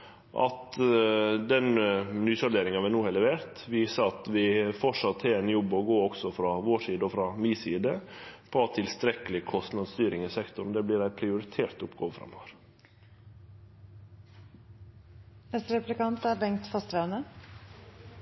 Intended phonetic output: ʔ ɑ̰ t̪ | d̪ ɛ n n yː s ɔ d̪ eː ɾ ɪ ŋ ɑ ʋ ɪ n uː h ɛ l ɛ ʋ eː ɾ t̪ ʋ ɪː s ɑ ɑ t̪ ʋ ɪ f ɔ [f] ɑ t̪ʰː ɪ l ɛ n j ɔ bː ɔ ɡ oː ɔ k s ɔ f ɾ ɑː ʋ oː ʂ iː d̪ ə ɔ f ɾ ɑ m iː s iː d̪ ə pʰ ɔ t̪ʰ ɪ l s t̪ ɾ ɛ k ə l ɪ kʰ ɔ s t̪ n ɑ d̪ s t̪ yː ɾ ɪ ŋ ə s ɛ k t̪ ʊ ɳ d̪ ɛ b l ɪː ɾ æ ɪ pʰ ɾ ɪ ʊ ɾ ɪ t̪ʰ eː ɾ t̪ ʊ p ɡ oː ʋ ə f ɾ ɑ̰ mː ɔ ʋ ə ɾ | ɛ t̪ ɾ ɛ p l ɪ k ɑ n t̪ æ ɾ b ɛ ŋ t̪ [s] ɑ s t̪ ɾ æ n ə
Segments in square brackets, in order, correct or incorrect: incorrect: ʂ, incorrect: f

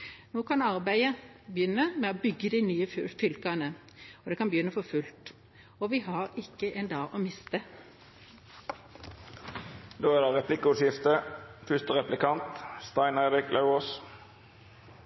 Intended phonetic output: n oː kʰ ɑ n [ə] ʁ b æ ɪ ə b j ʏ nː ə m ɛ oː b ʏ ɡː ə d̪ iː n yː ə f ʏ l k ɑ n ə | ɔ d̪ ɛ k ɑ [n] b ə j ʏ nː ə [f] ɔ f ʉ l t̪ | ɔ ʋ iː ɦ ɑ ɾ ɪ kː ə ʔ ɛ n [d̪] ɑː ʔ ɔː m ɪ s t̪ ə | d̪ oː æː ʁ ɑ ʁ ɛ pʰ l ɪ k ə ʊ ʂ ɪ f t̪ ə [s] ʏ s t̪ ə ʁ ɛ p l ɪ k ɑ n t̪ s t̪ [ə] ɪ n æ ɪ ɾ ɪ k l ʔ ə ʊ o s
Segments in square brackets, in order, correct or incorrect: incorrect: ɑ, correct, correct, correct, incorrect: f, incorrect: ɑ

